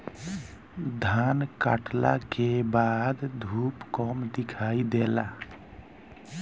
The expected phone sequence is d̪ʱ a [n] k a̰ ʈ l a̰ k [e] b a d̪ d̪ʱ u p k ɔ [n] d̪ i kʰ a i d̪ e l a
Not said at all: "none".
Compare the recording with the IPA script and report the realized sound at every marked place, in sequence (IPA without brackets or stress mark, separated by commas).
n, e, m